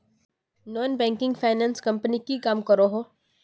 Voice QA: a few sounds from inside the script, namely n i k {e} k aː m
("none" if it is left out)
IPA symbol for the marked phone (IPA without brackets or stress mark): i